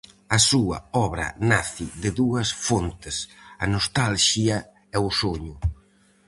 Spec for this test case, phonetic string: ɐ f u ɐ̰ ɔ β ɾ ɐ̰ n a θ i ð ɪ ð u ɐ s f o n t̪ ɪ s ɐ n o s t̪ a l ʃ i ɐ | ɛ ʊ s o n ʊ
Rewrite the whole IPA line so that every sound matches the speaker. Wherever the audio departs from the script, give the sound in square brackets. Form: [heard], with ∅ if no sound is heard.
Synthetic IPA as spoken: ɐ [s] u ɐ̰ ɔ β ɾ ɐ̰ n a θ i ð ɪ ð u ɐ s f o n t̪ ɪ s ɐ n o s t̪ a l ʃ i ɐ | ɛ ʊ s o [ɲ] ʊ